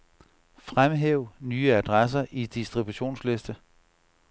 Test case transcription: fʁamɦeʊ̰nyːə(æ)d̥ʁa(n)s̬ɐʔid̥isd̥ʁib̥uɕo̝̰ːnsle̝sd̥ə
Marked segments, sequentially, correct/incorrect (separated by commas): correct, incorrect